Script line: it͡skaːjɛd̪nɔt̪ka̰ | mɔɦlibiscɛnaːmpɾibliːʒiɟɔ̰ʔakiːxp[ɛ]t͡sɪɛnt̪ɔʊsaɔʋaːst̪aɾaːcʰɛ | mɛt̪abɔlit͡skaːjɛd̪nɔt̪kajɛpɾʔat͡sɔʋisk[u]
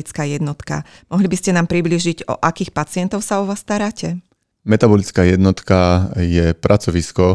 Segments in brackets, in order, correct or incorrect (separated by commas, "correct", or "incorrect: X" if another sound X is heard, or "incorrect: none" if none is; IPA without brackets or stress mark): incorrect: a, incorrect: ɔ